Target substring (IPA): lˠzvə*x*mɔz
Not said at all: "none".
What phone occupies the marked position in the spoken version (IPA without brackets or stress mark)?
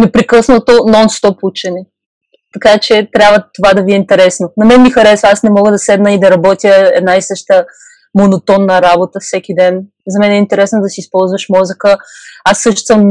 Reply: ʃ